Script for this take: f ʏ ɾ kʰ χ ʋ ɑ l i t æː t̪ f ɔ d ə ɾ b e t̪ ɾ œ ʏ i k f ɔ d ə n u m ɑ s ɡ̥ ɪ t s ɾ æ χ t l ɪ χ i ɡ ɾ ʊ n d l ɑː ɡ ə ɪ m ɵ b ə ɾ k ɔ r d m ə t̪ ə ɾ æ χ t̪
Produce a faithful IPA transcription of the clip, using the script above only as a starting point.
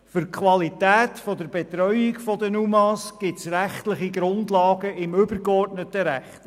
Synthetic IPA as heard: f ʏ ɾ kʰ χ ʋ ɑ l i t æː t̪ f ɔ d ə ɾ b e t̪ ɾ œ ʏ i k f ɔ d ə n u m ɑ s ɡ̥ ɪ t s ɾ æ χ t l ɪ χ i ɡ ɾ ʊ n d l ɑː ɡ ə ɪ m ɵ b ə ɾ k ɔ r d n ə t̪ ə ɾ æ χ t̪

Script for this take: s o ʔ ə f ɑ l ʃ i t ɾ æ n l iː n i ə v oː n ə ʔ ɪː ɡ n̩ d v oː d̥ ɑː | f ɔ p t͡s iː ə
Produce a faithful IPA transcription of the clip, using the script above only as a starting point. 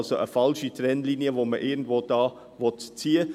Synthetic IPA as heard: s o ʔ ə f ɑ l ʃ i t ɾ ɛ n l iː n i ə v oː m ə ʔ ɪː ɡ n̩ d v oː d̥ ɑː | v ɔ t t͡s iː ə

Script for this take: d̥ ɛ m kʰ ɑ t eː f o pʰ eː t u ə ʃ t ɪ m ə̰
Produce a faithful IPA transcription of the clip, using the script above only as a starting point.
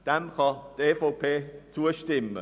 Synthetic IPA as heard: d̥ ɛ m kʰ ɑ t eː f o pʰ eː t͡s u ə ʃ t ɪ m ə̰

